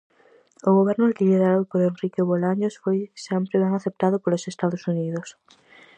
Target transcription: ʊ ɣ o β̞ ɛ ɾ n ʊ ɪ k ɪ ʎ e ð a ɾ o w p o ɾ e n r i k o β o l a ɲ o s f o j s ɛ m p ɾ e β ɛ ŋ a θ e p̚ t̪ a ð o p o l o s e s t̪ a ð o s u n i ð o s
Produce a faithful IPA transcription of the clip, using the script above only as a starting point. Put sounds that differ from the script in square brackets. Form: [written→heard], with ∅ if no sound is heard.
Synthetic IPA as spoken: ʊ ɣ o β̞ ɛ ɾ n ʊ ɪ k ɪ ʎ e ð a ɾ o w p o ɾ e n r i k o β o l a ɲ o s f o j s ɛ m p ɾ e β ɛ ŋ a θ e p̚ t̪ a ð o p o l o s e s t̪ a ð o s u n i ð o s